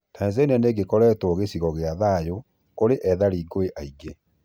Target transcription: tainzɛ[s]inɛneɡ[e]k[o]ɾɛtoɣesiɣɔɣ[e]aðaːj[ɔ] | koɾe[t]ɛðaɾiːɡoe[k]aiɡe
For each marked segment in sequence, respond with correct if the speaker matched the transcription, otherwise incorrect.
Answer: incorrect: none, correct, incorrect: ɔ, correct, incorrect: o, incorrect: ʔ, incorrect: ʔ

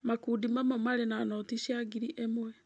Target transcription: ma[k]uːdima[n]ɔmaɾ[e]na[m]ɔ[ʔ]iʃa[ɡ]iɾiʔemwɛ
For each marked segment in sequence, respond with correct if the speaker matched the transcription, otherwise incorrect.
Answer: correct, incorrect: m, correct, incorrect: n, incorrect: t, correct

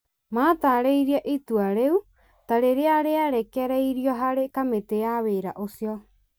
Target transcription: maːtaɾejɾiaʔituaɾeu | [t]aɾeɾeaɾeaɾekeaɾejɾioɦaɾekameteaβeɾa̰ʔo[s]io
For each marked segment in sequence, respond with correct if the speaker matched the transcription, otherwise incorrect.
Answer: correct, correct

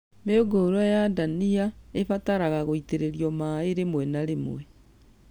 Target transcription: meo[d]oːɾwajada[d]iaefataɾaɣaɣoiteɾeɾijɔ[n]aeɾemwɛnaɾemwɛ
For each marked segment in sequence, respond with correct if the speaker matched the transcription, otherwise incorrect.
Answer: incorrect: ɡ, incorrect: n, incorrect: m

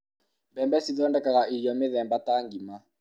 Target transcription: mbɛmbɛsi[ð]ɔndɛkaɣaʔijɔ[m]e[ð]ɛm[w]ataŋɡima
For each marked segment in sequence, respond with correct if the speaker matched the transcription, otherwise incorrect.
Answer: correct, correct, correct, incorrect: b

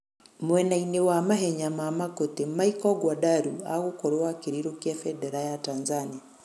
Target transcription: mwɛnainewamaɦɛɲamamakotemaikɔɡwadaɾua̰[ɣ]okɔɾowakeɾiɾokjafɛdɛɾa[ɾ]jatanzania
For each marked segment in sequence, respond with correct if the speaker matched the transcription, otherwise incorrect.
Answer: correct, incorrect: none

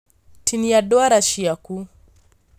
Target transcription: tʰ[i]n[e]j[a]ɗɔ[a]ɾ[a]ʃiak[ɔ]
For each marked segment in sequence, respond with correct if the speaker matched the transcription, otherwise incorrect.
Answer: correct, incorrect: i, correct, correct, correct, incorrect: u

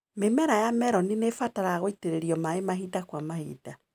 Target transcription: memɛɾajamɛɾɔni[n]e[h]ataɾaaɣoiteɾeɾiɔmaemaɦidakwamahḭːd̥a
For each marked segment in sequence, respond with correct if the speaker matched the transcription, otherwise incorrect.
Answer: correct, incorrect: f

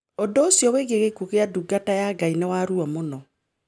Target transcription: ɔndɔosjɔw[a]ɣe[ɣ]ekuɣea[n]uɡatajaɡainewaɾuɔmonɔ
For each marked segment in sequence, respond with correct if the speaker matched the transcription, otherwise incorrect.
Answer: incorrect: e, correct, incorrect: d

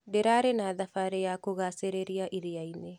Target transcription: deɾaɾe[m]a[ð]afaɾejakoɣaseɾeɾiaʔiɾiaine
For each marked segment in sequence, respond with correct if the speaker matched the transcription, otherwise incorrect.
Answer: incorrect: n, correct

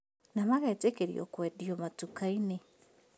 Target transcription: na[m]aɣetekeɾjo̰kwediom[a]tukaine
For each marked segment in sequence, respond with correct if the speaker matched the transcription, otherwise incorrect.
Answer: correct, correct

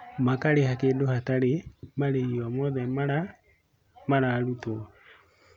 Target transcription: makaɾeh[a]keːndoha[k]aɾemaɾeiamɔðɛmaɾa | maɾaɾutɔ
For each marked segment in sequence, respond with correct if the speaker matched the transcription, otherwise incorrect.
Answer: correct, incorrect: t

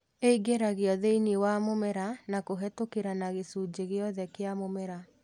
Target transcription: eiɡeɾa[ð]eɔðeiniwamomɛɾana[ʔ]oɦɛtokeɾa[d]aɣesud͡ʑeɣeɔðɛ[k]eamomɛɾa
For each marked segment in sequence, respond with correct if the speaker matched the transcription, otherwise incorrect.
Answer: incorrect: ɣ, incorrect: k, incorrect: n, correct

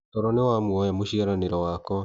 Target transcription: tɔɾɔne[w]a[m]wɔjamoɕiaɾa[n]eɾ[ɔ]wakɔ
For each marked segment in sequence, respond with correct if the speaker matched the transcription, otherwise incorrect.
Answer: correct, correct, correct, correct

